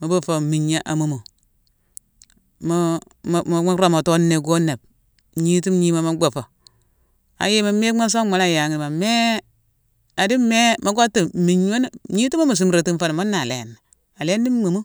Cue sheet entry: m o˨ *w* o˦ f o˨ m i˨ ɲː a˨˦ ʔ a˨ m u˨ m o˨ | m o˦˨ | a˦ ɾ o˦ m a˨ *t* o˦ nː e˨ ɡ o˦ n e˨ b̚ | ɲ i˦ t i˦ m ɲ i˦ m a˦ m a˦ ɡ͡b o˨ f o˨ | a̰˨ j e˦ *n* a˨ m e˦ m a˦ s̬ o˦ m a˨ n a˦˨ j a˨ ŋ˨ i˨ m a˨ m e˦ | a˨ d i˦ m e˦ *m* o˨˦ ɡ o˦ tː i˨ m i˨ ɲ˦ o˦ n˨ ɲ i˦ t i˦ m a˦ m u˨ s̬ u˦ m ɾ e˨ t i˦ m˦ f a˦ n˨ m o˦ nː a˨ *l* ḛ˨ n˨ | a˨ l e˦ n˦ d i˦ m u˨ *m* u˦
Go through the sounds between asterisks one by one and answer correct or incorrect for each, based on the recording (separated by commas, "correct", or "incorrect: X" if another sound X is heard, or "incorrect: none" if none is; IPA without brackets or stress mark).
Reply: incorrect: b, correct, incorrect: m, correct, correct, correct